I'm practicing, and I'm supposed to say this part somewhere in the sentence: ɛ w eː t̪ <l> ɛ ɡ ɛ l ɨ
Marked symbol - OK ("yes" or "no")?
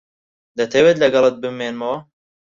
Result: yes